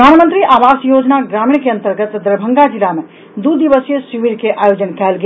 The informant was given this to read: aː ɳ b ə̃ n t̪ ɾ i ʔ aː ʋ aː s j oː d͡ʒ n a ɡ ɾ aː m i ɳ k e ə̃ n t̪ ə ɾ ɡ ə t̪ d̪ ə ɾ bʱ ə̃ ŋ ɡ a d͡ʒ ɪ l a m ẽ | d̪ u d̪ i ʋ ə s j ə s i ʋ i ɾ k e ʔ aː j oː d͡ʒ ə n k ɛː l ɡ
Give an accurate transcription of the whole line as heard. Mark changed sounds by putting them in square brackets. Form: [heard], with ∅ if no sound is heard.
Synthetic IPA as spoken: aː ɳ [m] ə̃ n t̪ ɾ i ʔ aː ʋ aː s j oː d͡ʒ n a ɡ ɾ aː m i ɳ k e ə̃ n t̪ ə ɾ ɡ ə t̪ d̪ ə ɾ bʱ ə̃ ŋ ɡ a d͡ʒ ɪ l a m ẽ | d̪ u d̪ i ʋ ə s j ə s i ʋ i ɾ k e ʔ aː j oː d͡ʒ ə n k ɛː l ɡ